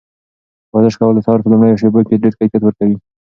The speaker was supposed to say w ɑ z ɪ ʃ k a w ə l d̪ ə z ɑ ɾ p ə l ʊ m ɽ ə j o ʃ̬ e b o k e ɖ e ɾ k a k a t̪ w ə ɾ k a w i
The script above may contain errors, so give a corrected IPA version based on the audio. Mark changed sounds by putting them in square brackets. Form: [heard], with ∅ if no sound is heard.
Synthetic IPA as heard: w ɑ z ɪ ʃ k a w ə l d̪ ə [s] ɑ ɾ p ə l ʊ m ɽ ə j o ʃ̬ e b o k e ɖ e ɾ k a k a t̪ w ə ɾ k a w i